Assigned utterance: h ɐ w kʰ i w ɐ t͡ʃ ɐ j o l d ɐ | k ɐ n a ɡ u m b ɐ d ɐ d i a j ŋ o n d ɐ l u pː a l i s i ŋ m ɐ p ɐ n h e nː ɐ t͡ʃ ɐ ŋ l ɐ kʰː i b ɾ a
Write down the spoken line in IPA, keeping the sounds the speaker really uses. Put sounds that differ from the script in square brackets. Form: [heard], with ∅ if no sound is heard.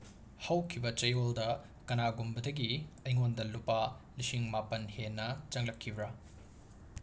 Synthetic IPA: h ɐ w kʰ i [b] ɐ t͡ʃ ɐ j o l d ɐ | k ɐ n a ɡ u m b ɐ d ɐ [ɡ] i [ɐ] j ŋ o n d ɐ l u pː a l i s i ŋ m [a] p ɐ n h e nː ɐ t͡ʃ ɐ ŋ l ɐ kʰː i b ɾ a

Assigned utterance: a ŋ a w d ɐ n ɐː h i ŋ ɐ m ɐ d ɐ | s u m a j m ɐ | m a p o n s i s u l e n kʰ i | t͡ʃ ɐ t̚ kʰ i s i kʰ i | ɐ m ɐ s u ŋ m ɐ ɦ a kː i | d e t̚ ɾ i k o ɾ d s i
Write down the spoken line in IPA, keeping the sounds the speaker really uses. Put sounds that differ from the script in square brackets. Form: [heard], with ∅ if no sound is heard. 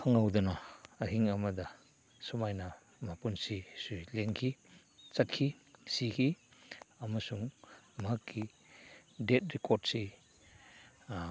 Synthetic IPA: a ŋ a w d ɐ n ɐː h i ŋ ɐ m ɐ d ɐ | s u m a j [n] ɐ | m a p [u] n s i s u l e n kʰ i | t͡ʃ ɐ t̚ kʰ i s i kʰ i | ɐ m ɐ s u ŋ m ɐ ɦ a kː i | d e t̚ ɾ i k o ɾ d s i

